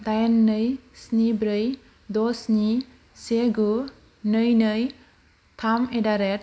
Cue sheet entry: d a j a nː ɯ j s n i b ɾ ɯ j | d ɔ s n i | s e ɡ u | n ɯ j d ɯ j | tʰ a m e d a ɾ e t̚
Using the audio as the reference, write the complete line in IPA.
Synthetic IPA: d a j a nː ɯ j s n i b ɾ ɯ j | d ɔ s n i | s e ɡ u | n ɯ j n ɯ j | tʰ a m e d a ɾ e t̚